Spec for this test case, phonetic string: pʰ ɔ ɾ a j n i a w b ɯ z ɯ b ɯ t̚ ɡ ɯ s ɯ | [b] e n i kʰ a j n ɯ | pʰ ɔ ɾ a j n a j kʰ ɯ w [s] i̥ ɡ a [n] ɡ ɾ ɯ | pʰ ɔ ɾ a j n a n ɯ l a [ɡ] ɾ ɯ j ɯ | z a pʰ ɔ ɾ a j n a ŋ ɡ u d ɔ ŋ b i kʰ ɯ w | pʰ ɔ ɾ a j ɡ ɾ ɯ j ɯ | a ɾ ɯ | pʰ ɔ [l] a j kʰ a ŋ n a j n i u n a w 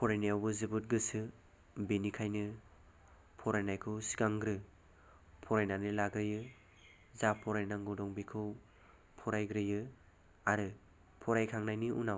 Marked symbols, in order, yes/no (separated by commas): yes, yes, no, yes, no